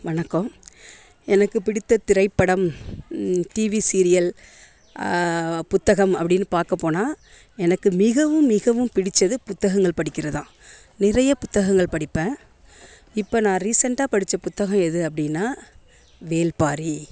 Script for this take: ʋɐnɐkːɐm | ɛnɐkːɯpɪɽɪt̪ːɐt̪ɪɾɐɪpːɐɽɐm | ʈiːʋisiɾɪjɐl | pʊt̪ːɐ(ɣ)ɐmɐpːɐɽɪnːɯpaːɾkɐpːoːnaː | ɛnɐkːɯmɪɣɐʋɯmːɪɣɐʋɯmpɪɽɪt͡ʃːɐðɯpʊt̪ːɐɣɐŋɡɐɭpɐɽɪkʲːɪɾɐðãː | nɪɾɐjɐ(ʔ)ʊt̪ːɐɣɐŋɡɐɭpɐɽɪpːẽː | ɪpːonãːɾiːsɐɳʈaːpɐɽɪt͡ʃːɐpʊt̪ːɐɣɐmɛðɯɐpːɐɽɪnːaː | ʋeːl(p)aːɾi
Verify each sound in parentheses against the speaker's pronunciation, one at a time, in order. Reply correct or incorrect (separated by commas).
correct, incorrect, correct